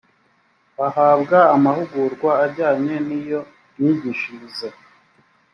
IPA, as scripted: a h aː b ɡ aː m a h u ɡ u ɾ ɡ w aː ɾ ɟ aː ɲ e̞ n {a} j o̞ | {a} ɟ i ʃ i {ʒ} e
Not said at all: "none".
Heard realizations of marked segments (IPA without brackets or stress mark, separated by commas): i, i, z